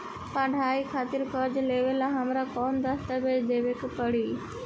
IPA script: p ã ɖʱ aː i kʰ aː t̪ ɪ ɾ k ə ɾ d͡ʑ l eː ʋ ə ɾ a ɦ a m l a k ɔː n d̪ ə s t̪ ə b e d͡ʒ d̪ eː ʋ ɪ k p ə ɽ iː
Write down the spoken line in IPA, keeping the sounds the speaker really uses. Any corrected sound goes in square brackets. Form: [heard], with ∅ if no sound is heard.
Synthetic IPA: p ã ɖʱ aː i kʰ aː t̪ ɪ ɾ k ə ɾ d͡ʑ l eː ʋ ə [l] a ɦ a m [ɾ] a k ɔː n d̪ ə s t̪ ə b e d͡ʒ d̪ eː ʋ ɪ k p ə ɽ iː